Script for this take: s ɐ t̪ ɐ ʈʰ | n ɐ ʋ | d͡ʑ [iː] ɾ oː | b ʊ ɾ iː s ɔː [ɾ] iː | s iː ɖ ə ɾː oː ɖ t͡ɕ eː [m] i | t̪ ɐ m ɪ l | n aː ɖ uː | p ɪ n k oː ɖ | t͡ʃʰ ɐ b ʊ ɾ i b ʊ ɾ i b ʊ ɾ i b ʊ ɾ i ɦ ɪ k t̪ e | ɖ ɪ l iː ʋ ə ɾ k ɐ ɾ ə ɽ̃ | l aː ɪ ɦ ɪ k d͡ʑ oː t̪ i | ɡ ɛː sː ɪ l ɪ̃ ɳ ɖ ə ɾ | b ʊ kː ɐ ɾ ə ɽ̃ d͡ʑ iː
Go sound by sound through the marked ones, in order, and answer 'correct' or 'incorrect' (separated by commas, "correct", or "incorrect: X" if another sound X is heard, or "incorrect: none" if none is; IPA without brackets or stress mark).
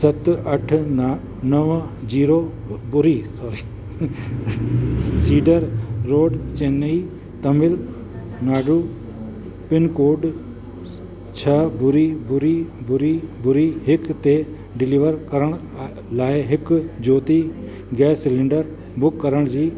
correct, correct, incorrect: n